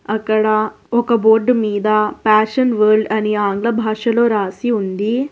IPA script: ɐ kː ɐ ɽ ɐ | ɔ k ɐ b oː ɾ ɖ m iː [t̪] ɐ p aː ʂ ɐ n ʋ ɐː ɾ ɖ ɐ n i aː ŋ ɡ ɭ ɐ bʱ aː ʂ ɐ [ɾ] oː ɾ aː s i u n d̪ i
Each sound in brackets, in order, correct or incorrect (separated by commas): incorrect, incorrect